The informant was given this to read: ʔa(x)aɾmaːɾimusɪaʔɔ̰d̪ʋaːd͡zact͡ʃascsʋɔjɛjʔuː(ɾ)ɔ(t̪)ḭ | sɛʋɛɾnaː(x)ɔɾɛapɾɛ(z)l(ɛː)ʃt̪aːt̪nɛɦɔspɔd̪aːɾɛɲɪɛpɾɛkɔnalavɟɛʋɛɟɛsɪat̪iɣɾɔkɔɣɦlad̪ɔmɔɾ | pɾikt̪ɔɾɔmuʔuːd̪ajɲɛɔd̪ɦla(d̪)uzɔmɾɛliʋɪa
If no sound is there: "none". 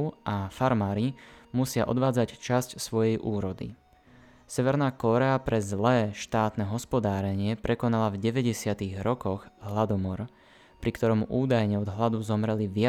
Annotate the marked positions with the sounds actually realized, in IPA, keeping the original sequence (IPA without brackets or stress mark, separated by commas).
f, ɾ, d̪, k, z, ɛː, d̪